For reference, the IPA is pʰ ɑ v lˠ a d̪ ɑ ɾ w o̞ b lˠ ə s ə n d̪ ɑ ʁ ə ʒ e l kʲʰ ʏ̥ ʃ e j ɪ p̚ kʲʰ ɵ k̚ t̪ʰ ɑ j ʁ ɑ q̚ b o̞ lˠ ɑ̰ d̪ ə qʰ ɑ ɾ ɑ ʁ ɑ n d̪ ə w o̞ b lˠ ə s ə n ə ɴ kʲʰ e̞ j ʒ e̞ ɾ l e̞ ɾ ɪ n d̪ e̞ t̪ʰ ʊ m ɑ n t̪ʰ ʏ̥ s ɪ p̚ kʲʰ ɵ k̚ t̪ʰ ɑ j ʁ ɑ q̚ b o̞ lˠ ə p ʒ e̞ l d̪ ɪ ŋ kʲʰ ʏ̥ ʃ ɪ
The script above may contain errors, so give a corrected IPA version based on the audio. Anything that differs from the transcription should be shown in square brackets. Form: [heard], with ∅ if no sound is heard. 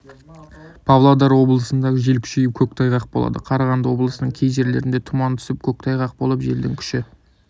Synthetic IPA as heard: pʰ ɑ v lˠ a d̪ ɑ ɾ w o̞ b lˠ ə s ə n d̪ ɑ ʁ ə ʒ e l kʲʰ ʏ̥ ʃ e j ɪ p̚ kʲʰ ɵ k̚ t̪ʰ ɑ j ʁ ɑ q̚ b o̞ lˠ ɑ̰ d̪ ə qʰ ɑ ɾ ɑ ʁ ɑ n d̪ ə w o̞ b lˠ ə s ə n ə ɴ kʲʰ e̞ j ʒ e̞ ɾ l e̞ ɾ ɪ n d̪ e̞ t̪ʰ ʊ m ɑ n t̪ʰ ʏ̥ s ɪ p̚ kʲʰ ɵ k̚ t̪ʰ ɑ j ʁ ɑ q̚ b o̞ lˠ ə p ʒ e̞ l d̪ ɪ ŋ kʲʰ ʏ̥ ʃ ɪ

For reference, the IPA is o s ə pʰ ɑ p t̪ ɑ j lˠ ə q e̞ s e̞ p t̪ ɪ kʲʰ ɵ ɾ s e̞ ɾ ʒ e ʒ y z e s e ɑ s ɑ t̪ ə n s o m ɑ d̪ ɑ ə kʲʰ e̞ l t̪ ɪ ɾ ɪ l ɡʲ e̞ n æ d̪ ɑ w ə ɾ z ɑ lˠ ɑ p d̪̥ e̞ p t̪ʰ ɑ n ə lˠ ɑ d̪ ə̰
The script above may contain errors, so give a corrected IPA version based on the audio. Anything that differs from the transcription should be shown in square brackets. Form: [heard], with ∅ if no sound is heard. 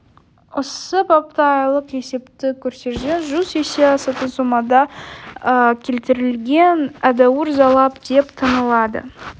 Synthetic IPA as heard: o s ə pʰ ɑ p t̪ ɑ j lˠ ə q e̞ s e̞ p t̪ ɪ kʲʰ ɵ ɾ s e̞ ɾ ʒ e ʒ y z e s e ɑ s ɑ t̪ ə n s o m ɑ d̪ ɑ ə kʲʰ e̞ l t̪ ɪ ɾ ɪ l ɡʲ e̞ n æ d̪ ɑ w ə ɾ z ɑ lˠ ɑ p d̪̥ e̞ p t̪ʰ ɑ n ə lˠ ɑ d̪ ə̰

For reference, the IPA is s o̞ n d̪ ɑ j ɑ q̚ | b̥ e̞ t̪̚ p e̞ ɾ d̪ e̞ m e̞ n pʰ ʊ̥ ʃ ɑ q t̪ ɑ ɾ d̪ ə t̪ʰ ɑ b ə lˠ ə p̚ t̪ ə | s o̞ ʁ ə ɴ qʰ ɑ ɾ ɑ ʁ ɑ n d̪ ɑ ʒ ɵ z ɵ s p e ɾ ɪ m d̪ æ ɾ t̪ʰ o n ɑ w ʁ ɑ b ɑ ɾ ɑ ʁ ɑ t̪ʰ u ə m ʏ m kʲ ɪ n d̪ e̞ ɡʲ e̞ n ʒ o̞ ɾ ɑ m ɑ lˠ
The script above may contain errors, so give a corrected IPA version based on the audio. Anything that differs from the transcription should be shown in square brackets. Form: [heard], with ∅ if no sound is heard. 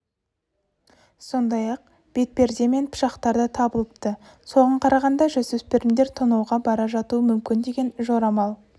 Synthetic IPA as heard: s o̞ n d̪ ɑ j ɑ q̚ | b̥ e̞ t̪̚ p e̞ ɾ d̪ e̞ m e̞ n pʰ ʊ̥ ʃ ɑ q t̪ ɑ ɾ d̪ ə t̪ʰ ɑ b ə lˠ ə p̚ t̪ ə | s o̞ ʁ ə ɴ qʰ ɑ ɾ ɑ ʁ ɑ n d̪ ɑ ʒ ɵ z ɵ s p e ɾ ɪ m d̪ [e] ɾ t̪ʰ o n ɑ w ʁ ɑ b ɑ ɾ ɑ [ʒ] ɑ [t̪] u ə m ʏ m kʲ ɪ n d̪ e̞ ɡʲ e̞ n ʒ o̞ ɾ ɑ m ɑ lˠ

